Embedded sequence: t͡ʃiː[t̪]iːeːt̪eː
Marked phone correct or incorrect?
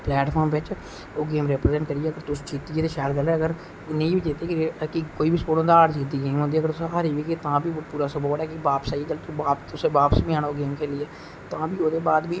correct